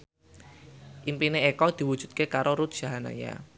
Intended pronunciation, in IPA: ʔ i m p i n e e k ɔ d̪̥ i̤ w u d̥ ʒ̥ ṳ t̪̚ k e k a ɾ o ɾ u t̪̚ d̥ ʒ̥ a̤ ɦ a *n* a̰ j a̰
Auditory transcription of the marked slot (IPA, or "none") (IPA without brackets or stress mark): n